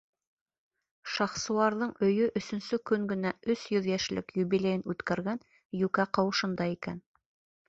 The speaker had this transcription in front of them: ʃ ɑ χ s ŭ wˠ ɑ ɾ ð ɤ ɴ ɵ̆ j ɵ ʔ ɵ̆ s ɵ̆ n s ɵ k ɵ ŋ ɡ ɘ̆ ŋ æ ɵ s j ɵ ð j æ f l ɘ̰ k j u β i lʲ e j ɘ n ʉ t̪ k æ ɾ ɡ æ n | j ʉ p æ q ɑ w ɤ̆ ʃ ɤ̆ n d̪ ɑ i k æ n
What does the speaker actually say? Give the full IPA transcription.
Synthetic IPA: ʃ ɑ χ s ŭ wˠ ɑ ɾ ð ɤ ɴ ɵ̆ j ɵ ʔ ɵ̆ s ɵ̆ n s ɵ k ɵ ŋ ɡ ɘ̆ n æ ɵ s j ɵ ð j æ ʃ l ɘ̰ k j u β i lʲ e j ɘ n ʉ t̪ k æ ɾ ɡ æ n | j ʉ k æ q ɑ w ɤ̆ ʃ ɤ̆ n d̪ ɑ i k æ n